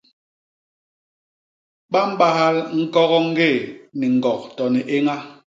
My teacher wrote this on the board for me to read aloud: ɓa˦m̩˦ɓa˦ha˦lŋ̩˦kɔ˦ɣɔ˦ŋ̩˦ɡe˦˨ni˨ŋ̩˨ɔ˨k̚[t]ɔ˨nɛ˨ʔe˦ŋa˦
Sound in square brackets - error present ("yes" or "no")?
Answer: no